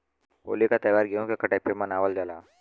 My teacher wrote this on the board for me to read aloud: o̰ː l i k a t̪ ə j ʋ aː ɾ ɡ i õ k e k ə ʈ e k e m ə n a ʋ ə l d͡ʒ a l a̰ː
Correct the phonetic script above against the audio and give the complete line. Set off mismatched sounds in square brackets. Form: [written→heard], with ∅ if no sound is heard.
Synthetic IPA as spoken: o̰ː l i k a t̪ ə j ʋ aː ɾ ɡ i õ k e k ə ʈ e [k→p] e m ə n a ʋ ə l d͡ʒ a l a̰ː